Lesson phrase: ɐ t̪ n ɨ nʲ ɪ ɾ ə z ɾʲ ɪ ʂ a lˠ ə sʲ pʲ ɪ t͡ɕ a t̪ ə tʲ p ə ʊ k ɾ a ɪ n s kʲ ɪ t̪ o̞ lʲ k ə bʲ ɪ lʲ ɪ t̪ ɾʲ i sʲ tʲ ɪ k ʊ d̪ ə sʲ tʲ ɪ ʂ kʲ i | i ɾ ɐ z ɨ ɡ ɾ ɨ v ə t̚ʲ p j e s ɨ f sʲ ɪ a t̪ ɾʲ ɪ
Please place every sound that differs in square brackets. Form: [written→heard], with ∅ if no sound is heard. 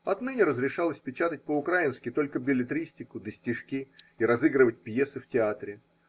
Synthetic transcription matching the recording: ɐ t̪ n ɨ nʲ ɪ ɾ ə z ɾʲ ɪ ʂ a lˠ ə sʲ pʲ ɪ t͡ɕ a t̪ ə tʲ p ə ʊ k ɾ a ɪ n s kʲ ɪ t̪ o̞ lʲ k ə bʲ ɪ lʲ ɪ t̪ ɾʲ i sʲ tʲ ɪ k ʊ d̪ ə sʲ tʲ ɪ ʂ kʲ i | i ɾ ɐ z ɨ ɡ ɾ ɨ v ə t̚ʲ p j e s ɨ f [sʲ→tʲ] ɪ a t̪ ɾʲ ɪ